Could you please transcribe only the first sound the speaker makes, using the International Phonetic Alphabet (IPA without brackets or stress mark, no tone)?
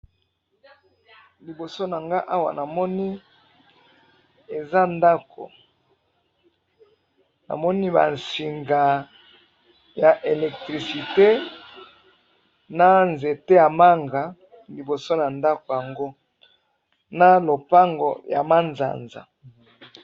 l